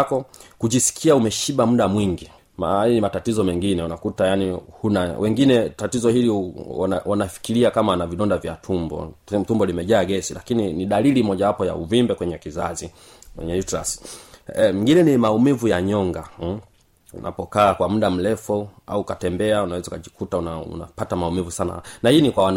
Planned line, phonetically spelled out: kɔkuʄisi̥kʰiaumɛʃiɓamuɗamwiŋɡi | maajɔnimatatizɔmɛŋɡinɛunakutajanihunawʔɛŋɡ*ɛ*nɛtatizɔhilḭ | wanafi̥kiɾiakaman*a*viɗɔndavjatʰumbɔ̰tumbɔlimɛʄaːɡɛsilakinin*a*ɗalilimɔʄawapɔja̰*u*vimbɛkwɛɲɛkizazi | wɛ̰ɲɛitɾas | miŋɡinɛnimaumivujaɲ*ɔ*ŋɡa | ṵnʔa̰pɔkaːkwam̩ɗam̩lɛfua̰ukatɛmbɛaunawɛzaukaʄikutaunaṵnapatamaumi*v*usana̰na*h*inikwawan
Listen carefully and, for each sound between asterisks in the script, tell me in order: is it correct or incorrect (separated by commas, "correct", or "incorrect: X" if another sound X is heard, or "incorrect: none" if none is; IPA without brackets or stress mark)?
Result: incorrect: i, correct, incorrect: i, correct, correct, correct, correct